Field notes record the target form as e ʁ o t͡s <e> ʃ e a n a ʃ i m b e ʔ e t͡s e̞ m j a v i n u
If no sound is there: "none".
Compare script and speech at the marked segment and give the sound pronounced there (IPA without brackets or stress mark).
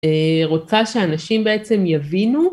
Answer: a